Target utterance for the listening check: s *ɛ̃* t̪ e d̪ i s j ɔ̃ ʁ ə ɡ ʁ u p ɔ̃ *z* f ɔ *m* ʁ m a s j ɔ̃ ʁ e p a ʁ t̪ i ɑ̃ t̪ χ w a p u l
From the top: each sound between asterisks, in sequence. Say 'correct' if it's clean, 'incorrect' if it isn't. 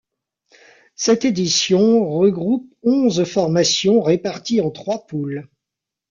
incorrect: ɛ, correct, incorrect: none

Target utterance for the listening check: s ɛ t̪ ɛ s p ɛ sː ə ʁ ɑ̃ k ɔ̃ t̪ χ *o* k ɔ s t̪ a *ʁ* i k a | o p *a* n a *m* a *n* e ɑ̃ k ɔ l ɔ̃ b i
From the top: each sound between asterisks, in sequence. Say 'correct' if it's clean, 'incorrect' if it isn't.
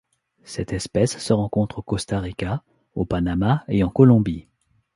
correct, correct, correct, correct, incorrect: none

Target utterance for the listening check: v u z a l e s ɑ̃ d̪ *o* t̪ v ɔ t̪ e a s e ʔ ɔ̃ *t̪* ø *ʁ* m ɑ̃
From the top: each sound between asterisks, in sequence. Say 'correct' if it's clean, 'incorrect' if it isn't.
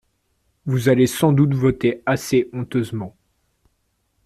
incorrect: u, correct, incorrect: z

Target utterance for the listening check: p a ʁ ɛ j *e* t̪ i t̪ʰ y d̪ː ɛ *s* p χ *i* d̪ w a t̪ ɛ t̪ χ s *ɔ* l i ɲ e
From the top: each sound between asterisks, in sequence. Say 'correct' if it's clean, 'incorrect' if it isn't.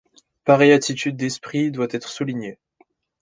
incorrect: a, correct, correct, incorrect: u

